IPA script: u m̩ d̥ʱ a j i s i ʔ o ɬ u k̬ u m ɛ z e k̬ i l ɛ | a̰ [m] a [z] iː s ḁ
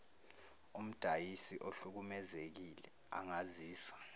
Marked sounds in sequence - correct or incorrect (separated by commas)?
incorrect, correct